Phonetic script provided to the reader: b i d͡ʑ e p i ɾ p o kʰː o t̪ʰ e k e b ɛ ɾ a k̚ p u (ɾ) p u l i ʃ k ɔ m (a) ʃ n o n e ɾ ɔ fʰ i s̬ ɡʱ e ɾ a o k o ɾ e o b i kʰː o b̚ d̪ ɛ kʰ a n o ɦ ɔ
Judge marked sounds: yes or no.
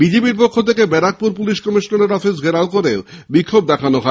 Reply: yes, no

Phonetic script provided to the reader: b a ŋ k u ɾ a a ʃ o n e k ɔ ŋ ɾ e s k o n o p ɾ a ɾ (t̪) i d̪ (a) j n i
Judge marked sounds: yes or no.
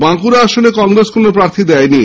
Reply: no, no

